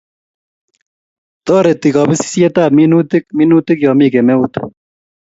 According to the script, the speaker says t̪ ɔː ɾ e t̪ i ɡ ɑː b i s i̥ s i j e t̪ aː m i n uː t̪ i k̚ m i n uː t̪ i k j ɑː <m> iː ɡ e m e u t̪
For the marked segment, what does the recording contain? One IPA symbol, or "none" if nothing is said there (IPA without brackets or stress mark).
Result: m